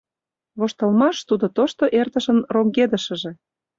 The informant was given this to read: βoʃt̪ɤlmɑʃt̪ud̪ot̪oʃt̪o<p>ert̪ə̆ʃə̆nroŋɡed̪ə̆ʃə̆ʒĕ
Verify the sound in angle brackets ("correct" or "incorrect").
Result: incorrect